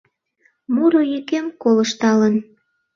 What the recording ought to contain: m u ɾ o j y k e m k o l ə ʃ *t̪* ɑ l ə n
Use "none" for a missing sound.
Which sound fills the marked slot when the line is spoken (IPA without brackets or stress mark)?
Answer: t̪